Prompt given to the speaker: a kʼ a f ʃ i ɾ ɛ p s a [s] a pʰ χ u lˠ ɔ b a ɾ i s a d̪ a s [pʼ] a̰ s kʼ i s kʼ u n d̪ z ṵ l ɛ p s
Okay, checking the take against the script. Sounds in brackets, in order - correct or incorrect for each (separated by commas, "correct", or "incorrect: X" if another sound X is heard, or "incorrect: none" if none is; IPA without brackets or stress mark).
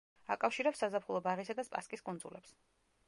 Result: incorrect: z, correct